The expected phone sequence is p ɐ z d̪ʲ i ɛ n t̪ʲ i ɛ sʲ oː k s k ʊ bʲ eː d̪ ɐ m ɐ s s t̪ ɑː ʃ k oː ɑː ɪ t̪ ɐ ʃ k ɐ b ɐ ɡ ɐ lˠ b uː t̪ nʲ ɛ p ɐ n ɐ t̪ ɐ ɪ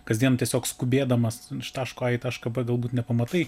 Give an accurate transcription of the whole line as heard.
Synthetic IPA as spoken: k ɐ z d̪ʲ i ɛ n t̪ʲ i ɛ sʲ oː k s k ʊ bʲ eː d̪ ɐ m ɐ s ʃ t̪ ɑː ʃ k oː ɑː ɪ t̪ ɐ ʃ k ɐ b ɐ ɡ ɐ lˠ b uː t̪ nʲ ɛ p ɐ m ɐ t̪ ɐ ɪ